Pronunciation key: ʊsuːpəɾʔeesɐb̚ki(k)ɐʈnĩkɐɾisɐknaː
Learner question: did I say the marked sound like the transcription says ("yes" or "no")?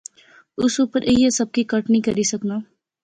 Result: yes